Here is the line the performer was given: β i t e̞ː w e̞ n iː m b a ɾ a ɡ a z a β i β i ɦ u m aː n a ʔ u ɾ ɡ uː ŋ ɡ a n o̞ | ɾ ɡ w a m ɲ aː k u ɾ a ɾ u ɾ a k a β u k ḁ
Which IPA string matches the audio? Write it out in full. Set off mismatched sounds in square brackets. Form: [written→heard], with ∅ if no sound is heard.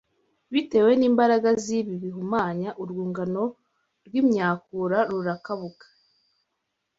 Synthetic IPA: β i t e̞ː w e̞ n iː m b a ɾ a ɡ a z [a→i] β i β i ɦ u m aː [n→ɲ] a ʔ u ɾ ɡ uː ŋ ɡ a n o̞ | ɾ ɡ w [a→i] m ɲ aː k u ɾ a ɾ u ɾ a k a β u k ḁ

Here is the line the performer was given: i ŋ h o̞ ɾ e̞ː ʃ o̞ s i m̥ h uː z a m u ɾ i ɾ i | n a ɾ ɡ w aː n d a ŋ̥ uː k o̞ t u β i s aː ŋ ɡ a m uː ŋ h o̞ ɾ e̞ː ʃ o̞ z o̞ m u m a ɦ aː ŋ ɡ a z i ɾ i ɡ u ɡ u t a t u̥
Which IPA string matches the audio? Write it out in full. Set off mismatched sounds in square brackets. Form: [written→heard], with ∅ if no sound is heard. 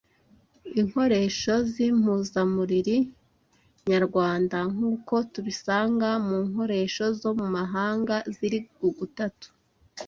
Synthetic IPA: i ŋ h o̞ ɾ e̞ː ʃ o̞ [s→z] i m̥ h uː z a m u ɾ i ɾ i | [n→ɲ] a ɾ ɡ w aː n d a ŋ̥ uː k o̞ t u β i s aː ŋ ɡ a m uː ŋ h o̞ ɾ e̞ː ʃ o̞ z o̞ m u m a ɦ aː ŋ ɡ a z i ɾ i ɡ u ɡ u t a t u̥

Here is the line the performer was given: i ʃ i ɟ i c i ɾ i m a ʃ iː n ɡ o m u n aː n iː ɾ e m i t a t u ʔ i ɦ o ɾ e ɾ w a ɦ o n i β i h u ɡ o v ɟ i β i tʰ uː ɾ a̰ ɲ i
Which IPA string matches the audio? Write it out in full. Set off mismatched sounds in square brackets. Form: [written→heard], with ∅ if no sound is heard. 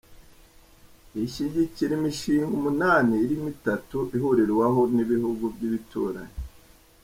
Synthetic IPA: i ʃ i ɟ i c i ɾ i m [a→i] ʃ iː [n→ŋ] ɡ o m u n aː n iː ɾ [e→i] m i t a t u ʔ i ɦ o ɾ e ɾ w a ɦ o n i β i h u ɡ [o→u] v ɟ i β i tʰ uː ɾ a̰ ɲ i

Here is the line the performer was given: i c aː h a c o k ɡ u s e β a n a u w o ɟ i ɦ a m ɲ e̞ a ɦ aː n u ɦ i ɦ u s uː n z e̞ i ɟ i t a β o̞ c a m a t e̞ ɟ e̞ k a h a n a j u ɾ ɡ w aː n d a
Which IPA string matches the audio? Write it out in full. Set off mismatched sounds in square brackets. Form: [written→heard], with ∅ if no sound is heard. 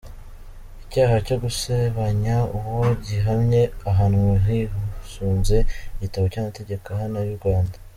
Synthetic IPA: i c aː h a c o [k→∅] ɡ u s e β a [n→ɲ] a u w o ɟ i ɦ a m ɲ e̞ a ɦ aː n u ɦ i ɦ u s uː n z e̞ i ɟ i t a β o̞ c a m a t e̞ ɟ e̞ k a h a n a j u ɾ ɡ w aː n d a

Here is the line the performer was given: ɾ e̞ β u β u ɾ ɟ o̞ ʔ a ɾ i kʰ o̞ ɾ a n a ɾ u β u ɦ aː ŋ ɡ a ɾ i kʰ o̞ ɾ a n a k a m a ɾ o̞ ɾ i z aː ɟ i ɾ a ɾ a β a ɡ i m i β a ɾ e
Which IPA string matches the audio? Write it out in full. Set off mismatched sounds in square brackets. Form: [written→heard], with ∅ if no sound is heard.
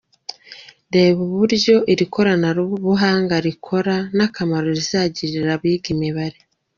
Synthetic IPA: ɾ e̞ β u β u ɾ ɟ o̞ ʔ [a→i] ɾ i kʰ o̞ ɾ a n a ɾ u β u ɦ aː ŋ ɡ a ɾ i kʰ o̞ ɾ a n a k a m a ɾ o̞ ɾ i z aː ɟ i ɾ [a→i] ɾ a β [a→i] ɡ i m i β a ɾ e

